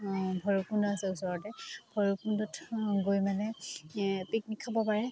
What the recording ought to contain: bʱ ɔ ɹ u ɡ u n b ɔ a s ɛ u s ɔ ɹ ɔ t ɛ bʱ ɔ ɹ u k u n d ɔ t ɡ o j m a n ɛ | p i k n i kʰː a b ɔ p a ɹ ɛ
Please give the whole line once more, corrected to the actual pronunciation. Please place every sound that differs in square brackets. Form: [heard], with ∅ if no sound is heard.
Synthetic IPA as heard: bʱ ɔ ɹ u [k] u n [d] ɔ a s ɛ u s ɔ ɹ ɔ t ɛ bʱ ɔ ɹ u k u n d ɔ t ɡ o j m a n ɛ | p i k n i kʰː a b ɔ p a ɹ ɛ